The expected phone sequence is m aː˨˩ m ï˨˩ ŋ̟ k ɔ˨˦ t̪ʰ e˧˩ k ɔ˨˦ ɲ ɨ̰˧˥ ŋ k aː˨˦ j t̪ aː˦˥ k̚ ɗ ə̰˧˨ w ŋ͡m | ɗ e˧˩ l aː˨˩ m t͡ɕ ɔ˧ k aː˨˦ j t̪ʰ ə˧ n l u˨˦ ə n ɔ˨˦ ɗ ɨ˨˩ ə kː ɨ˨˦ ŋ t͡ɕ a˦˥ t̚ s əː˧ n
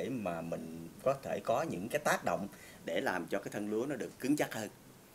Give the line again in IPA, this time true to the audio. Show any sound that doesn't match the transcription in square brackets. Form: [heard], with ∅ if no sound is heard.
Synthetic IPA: m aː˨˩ m ï˨˩ ŋ̟ k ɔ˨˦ t̪ʰ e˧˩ k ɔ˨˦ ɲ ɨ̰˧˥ ŋ k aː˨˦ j t̪ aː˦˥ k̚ ɗ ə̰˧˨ w ŋ͡m | ɗ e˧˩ l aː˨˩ m t͡ɕ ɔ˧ k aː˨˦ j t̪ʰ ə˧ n l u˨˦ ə n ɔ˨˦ ɗ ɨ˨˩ ə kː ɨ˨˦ ŋ t͡ɕ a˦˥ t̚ [h] əː˧ n